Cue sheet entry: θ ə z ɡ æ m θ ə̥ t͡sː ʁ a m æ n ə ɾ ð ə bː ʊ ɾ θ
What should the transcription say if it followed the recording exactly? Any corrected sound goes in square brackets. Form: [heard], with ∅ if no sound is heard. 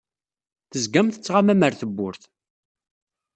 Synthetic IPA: θ ə z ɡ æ m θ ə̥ t͡sː ʁ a m æ [m] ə ɾ [θ] ə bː ʊ ɾ θ